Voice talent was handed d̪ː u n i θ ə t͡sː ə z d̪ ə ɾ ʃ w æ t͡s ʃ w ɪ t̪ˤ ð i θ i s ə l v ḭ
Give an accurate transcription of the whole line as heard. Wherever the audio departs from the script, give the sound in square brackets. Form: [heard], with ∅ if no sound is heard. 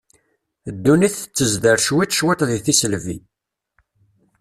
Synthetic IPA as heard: d̪ː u n i θ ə t͡sː ə z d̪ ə ɾ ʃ w [i] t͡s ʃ w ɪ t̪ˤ ð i θ i s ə l v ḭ